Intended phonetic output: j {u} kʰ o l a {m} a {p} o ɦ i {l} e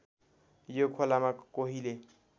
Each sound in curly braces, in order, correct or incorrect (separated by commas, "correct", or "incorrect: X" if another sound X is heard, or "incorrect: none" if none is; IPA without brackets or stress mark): incorrect: o, correct, incorrect: k, correct